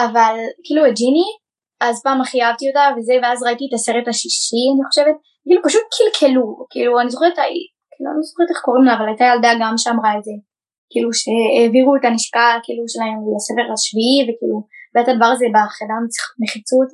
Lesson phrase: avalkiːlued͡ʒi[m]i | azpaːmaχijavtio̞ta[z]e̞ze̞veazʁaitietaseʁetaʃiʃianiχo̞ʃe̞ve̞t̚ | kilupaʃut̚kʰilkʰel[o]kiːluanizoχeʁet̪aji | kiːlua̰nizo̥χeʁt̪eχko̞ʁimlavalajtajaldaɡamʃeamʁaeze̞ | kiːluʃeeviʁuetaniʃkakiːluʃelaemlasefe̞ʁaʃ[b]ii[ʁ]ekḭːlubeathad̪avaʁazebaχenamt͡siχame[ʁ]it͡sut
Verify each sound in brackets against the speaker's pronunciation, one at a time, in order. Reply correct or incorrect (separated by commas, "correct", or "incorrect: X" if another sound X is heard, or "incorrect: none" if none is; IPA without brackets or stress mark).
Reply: incorrect: n, incorrect: v, incorrect: u, incorrect: v, incorrect: v, incorrect: χ